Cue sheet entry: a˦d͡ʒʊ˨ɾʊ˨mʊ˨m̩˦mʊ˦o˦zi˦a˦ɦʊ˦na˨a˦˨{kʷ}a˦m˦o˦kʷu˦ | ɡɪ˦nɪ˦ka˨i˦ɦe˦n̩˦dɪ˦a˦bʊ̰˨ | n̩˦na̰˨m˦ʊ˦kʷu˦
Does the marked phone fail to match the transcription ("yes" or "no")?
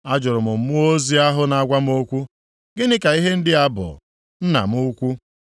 yes